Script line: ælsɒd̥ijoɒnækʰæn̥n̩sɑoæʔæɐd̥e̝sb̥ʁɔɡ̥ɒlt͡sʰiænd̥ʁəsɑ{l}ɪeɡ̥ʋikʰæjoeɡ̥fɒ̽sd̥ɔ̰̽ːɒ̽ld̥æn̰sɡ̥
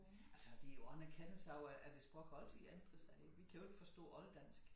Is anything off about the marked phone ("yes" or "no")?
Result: yes